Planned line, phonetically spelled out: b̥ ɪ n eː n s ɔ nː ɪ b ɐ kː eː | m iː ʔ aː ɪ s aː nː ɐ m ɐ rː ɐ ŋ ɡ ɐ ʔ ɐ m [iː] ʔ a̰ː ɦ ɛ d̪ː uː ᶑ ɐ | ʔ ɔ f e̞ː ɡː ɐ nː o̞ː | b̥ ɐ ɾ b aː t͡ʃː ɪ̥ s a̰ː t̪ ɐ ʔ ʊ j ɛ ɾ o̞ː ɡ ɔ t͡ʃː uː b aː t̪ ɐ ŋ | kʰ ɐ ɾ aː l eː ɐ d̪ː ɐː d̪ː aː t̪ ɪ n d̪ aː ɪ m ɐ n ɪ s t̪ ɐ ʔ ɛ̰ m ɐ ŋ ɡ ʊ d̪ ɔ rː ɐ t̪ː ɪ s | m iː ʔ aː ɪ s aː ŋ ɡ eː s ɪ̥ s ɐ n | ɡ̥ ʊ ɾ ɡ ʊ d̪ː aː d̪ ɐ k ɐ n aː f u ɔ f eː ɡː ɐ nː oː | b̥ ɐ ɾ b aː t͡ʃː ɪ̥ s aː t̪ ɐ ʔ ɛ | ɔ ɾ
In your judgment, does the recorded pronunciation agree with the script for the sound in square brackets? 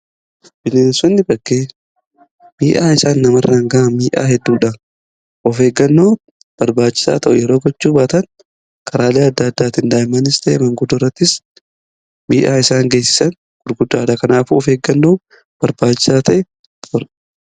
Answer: yes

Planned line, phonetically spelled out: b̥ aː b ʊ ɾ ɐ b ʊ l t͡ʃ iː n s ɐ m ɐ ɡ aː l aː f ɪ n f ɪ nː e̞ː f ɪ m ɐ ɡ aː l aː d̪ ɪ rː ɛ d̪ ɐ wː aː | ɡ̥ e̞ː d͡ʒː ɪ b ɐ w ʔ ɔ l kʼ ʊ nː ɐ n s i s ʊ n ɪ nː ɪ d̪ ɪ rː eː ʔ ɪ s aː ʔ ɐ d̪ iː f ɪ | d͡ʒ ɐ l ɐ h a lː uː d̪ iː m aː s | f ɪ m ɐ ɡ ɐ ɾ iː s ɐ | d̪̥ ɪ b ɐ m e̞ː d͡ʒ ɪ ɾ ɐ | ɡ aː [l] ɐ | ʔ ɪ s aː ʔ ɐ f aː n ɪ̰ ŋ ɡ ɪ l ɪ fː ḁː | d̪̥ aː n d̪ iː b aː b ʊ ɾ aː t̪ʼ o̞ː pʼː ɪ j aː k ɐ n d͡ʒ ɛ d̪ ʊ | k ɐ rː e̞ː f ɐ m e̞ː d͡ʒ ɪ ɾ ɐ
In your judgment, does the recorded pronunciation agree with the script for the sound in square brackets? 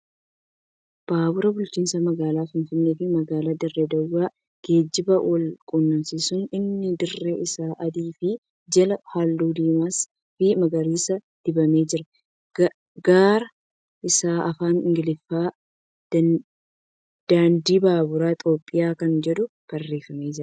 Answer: no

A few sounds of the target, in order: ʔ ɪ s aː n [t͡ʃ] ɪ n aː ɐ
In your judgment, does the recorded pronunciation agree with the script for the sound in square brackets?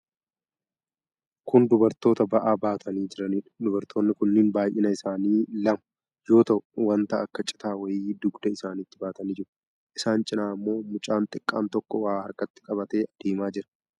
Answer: no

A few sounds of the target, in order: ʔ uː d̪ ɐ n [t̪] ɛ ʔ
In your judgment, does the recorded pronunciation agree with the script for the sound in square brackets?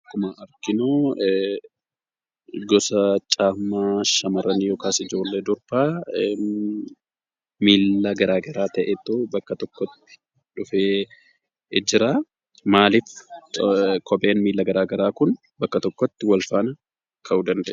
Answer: no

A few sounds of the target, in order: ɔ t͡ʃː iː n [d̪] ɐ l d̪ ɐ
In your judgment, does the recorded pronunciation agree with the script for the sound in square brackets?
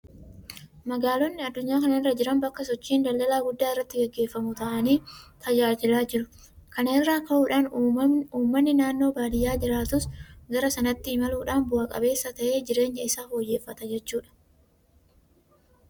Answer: yes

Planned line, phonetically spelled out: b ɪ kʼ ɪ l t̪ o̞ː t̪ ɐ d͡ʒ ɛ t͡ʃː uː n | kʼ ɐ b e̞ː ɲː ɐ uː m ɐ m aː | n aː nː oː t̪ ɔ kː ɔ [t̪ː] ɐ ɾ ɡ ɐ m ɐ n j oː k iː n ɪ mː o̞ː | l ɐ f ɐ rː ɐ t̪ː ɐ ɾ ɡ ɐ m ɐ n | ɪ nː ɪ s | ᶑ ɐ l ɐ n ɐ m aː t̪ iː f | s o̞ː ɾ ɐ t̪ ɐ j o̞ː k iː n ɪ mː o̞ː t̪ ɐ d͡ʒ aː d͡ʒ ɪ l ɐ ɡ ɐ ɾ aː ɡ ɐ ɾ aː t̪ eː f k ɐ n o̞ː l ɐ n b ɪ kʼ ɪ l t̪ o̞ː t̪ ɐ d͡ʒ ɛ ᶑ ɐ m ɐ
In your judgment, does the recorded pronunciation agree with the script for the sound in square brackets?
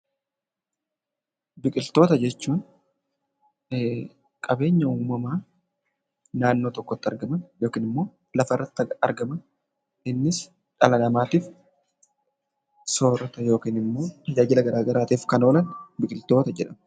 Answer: yes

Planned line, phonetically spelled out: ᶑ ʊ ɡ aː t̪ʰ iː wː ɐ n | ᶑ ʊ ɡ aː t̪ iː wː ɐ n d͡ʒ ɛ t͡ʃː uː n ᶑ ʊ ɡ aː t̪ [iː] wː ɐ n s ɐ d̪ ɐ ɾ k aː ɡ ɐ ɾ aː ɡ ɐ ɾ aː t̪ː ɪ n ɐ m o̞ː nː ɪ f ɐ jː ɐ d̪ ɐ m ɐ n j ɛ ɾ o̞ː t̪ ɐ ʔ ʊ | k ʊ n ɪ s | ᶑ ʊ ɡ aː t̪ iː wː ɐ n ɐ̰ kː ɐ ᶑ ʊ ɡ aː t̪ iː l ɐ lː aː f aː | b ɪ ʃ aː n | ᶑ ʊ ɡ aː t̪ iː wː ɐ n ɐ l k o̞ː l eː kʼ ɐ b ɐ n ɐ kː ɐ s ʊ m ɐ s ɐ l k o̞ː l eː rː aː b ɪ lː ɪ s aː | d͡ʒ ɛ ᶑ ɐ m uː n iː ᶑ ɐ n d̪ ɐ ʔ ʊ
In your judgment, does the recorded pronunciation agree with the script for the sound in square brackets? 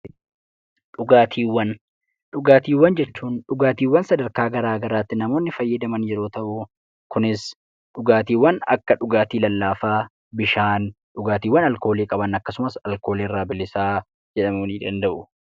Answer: yes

